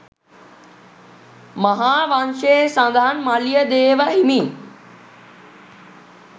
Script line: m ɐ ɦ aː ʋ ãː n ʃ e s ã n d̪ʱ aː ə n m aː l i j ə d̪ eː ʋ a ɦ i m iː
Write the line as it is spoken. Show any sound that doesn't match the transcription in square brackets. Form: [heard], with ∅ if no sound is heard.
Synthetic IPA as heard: m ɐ ɦ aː ʋ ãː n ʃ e s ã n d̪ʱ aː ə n m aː l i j ə d̪ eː ʋ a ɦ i m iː